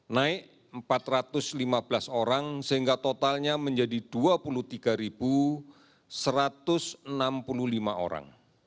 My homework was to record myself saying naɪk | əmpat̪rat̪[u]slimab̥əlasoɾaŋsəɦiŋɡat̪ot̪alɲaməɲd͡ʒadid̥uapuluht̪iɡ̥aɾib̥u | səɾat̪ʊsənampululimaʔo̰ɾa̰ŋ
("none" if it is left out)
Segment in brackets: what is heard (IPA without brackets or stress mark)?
ʊ